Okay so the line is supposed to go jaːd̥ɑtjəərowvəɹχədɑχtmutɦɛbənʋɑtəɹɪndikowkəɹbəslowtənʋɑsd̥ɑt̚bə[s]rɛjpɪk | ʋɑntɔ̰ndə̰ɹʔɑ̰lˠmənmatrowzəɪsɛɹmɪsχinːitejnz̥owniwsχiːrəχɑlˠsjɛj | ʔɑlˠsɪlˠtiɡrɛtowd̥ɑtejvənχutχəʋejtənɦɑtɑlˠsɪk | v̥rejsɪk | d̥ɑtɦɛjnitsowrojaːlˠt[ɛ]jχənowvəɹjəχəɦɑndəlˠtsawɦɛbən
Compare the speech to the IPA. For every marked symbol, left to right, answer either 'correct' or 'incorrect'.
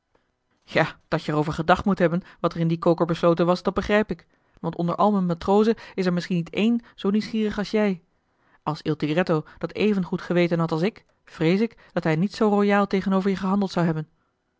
incorrect, incorrect

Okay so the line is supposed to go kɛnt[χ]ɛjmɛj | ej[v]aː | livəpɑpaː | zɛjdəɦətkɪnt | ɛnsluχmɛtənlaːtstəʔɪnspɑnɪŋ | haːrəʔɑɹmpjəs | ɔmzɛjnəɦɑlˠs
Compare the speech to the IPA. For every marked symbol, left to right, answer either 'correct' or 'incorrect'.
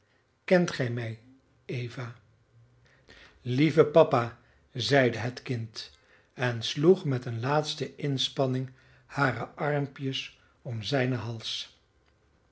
correct, correct

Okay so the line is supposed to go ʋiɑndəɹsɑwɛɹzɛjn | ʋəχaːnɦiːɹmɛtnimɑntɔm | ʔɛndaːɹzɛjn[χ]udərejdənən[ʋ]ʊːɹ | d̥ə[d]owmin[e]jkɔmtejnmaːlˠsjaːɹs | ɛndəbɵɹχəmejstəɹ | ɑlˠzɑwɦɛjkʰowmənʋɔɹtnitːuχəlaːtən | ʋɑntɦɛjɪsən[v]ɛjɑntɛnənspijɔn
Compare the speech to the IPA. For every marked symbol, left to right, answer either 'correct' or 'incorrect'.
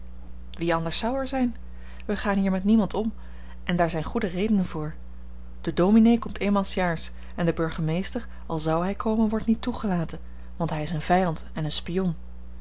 correct, incorrect, correct, correct, correct

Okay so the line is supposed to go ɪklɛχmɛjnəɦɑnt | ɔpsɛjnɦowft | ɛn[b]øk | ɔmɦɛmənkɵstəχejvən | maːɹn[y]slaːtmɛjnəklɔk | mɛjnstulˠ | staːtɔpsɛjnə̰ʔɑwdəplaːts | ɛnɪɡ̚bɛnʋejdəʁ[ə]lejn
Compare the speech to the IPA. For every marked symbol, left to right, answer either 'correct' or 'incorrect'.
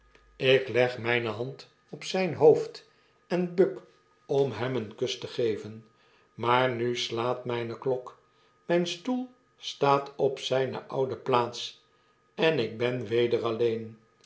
correct, correct, incorrect

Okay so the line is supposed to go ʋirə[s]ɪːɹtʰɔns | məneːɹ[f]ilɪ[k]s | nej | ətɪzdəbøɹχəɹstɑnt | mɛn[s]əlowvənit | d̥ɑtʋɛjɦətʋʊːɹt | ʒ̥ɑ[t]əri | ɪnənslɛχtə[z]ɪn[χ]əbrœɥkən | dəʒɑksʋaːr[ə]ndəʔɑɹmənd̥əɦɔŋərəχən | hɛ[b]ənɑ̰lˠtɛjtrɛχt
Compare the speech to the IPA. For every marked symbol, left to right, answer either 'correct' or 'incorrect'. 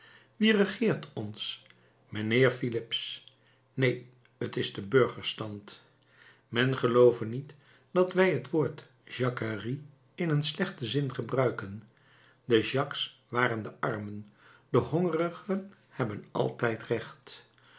incorrect, correct, incorrect, incorrect, incorrect, correct, correct, correct, correct

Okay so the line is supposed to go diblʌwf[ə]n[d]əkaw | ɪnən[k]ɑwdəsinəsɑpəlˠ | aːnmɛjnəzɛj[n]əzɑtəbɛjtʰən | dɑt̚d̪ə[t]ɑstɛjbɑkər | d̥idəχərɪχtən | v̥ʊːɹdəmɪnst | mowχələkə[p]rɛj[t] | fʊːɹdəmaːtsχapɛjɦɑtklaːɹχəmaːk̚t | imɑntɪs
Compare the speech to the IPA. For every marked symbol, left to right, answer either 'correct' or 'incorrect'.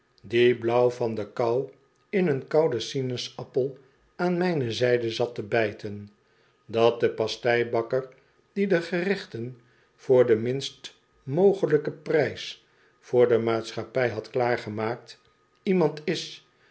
incorrect, correct, correct, incorrect, incorrect, correct, incorrect

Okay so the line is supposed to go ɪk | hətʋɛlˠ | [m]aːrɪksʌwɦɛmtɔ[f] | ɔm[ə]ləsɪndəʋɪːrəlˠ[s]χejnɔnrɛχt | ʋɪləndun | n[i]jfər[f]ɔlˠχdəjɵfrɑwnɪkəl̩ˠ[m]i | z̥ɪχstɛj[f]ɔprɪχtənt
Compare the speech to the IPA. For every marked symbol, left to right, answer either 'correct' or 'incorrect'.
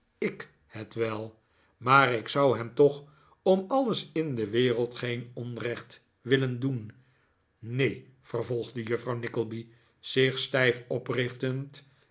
correct, incorrect, incorrect, incorrect, incorrect, incorrect, incorrect, correct

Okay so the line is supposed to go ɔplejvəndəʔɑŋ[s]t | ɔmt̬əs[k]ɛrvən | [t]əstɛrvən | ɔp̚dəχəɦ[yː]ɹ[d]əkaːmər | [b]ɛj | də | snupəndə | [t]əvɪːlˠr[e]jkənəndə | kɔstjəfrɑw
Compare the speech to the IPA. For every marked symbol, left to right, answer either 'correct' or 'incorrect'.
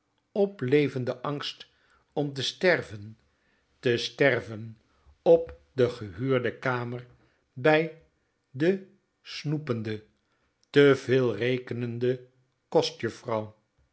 correct, incorrect, correct, correct, correct, correct, correct, correct

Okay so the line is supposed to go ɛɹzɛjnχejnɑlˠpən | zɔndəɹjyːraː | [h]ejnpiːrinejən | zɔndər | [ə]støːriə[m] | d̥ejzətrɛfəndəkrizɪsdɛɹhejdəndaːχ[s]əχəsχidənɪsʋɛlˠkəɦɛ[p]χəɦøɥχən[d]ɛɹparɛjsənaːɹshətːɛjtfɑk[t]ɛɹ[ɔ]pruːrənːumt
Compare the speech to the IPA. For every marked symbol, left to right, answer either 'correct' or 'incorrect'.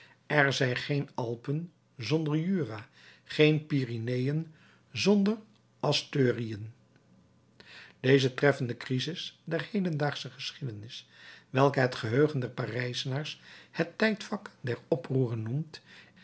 incorrect, incorrect, incorrect, correct, incorrect, correct, incorrect, correct

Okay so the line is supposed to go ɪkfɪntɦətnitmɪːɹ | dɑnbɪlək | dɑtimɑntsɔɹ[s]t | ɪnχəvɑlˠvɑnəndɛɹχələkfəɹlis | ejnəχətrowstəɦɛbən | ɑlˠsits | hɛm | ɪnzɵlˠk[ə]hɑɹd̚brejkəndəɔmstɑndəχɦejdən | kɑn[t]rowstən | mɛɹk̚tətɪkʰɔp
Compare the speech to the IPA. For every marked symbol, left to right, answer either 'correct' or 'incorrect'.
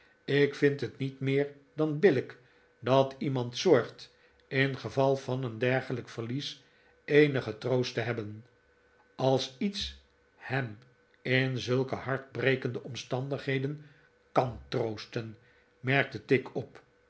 incorrect, correct, correct

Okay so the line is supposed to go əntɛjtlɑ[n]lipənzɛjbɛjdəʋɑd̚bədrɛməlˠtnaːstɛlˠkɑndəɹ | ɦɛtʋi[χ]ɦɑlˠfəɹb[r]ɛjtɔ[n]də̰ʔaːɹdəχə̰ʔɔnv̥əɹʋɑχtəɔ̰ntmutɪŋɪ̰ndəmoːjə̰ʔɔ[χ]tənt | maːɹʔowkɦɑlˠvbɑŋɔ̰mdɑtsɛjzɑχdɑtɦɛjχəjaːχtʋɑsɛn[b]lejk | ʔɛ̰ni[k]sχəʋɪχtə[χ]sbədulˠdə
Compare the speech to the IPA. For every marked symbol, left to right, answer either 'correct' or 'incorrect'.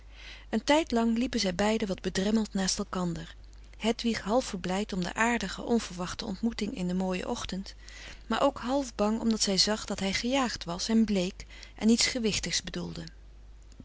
incorrect, correct, incorrect, incorrect, correct, correct, incorrect, correct

